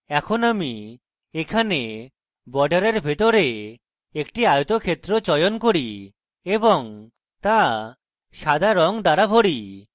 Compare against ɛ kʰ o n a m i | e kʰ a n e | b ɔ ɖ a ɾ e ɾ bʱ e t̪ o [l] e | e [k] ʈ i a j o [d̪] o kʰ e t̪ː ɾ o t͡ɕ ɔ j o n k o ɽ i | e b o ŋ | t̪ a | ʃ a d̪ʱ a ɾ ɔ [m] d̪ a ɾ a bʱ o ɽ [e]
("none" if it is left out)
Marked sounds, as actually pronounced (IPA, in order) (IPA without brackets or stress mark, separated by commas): ɾ, k, t̪, ŋ, i